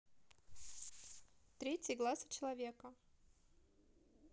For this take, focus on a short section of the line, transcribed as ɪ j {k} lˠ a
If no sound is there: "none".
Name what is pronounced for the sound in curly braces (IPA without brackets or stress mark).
ɡ